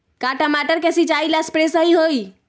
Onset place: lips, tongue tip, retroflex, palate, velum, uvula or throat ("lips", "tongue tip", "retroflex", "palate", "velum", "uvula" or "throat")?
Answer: velum